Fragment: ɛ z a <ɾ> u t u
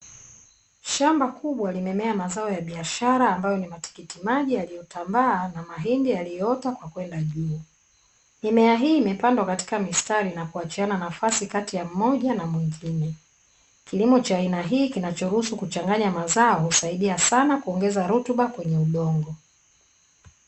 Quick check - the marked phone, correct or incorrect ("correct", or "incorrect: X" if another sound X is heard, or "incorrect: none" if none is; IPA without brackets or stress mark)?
correct